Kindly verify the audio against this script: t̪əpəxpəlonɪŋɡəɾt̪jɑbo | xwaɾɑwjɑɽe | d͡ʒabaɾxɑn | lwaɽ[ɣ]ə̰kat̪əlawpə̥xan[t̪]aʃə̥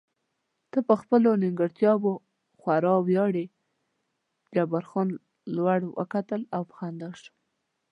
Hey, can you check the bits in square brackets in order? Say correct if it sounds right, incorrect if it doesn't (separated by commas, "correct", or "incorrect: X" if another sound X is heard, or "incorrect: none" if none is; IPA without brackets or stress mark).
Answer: incorrect: w, incorrect: d̪